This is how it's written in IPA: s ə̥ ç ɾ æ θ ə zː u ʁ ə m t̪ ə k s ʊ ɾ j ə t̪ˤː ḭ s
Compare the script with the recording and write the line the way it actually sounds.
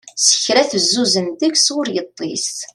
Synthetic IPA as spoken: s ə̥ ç ɾ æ θ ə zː u z ə n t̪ ə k s ʊ ɾ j ə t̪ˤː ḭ s